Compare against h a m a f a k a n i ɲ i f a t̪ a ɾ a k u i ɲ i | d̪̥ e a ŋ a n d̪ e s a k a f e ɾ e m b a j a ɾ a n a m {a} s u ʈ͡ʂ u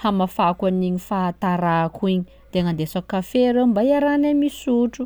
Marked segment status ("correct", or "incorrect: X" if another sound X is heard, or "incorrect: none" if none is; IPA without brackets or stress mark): incorrect: i